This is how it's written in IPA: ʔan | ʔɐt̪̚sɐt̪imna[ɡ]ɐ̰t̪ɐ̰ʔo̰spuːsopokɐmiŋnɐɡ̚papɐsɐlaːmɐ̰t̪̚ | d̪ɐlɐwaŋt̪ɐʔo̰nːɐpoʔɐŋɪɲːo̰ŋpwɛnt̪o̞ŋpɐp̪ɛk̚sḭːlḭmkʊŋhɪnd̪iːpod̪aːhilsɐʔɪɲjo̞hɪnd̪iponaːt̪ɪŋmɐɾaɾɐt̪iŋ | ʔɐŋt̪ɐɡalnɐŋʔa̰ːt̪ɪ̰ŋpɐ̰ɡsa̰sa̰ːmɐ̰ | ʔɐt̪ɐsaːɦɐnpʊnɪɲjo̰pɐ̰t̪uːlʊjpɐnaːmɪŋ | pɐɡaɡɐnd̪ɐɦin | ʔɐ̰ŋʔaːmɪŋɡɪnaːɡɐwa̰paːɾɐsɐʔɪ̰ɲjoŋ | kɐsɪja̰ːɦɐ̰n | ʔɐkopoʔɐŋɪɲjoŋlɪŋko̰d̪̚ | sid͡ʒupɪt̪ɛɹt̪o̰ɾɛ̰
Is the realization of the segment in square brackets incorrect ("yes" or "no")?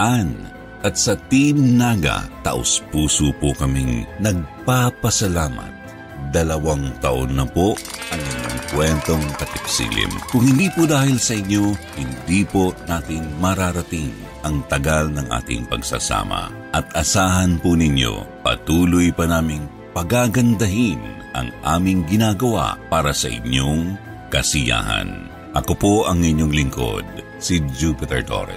no